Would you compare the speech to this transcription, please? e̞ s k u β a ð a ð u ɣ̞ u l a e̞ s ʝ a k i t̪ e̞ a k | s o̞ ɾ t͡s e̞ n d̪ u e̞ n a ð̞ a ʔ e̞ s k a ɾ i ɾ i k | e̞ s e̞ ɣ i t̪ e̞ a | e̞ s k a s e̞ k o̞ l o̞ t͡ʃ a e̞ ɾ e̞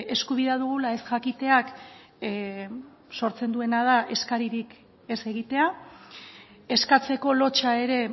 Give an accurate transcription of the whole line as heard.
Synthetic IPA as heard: e̞ s k u β i ð a ð u ɣ̞ u l a e̞ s ʝ a k i t̪ e̞ a k | s o̞ ɾ t͡s e̞ n d̪ u e̞ n a ð̞ a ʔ e̞ s k a ɾ i ɾ i k | e̞ s e̞ ɣ i t̪ e̞ a | e̞ s k a t͡s e̞ k o̞ l o̞ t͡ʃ a e̞ ɾ e̞